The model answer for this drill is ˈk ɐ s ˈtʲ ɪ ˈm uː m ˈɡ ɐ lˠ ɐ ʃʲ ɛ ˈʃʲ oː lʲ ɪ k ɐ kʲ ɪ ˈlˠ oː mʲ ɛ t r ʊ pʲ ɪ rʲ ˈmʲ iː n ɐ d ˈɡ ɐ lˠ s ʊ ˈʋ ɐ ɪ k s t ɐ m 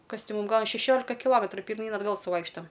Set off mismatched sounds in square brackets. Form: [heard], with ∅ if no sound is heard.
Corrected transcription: ˈk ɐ s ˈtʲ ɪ ˈm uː m ˈɡ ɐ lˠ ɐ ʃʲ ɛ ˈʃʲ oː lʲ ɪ k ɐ kʲ ɪ ˈlˠ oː mʲ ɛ t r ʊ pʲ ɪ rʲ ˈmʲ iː n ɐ d ˈɡ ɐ lˠ s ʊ ˈʋ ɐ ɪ k [ʃ] t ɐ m